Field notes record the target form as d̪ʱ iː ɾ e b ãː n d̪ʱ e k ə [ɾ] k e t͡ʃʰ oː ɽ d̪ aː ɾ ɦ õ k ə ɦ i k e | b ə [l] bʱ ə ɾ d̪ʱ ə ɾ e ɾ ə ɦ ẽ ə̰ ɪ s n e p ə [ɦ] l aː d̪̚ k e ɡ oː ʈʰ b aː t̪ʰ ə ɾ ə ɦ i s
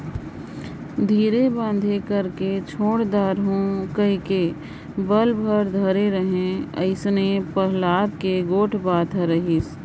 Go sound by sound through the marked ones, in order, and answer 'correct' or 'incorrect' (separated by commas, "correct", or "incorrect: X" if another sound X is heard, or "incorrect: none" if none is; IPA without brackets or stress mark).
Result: correct, correct, correct